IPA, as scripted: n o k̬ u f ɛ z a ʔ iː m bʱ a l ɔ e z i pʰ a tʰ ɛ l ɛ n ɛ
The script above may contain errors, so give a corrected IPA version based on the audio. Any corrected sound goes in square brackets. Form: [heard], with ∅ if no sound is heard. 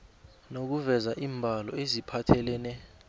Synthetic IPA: n o k̬ u [v] ɛ z a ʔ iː m bʱ a l ɔ e z i pʰ a tʰ ɛ l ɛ n ɛ